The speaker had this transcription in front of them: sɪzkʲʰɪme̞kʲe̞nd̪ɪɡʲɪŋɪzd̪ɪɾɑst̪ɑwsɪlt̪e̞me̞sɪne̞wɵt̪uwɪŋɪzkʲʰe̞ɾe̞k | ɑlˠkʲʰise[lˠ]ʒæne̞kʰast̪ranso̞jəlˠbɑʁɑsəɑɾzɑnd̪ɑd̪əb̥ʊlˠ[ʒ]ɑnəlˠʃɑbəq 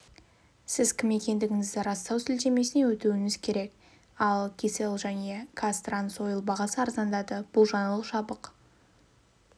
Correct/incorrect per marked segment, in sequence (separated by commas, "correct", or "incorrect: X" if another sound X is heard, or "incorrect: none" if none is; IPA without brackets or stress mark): correct, correct